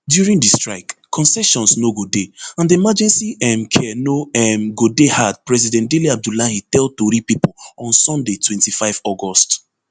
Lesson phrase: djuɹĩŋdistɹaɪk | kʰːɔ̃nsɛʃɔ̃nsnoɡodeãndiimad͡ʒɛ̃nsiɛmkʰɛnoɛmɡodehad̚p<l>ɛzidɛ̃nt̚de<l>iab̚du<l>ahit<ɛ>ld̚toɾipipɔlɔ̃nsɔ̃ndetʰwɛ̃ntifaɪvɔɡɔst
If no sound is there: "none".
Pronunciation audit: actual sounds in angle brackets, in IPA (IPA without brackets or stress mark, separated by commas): ɹ, l, l, ɛ